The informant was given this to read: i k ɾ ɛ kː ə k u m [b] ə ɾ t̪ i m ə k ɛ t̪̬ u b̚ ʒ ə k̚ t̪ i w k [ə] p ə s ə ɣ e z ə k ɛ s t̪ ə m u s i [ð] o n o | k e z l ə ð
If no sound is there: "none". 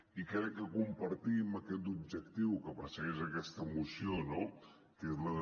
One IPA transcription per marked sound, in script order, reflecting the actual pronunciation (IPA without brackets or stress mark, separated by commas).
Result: p, ə, none